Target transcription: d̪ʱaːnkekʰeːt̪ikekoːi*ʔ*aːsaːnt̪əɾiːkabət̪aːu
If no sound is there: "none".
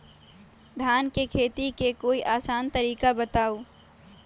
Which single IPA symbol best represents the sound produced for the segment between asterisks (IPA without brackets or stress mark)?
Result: ʔ